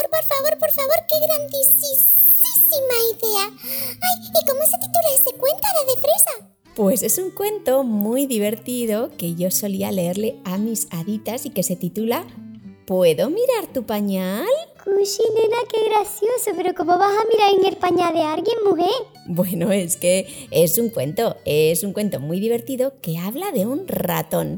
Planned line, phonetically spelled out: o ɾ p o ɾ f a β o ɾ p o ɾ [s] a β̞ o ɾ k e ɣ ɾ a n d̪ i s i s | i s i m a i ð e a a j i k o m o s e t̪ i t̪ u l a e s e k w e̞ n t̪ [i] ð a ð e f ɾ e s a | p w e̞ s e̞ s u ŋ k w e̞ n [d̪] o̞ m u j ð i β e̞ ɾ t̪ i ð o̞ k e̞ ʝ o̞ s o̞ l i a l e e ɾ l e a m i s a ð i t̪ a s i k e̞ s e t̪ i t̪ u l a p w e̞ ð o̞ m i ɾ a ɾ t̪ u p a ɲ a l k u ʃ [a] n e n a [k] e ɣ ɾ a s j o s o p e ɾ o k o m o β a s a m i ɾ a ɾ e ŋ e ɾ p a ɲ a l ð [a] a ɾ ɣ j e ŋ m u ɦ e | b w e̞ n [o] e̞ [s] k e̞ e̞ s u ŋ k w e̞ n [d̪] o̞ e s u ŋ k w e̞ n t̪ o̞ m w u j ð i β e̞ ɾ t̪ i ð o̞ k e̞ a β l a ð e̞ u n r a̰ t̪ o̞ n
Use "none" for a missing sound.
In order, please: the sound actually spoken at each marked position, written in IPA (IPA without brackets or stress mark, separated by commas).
f, a, t̪, i, k, e, o, s, t̪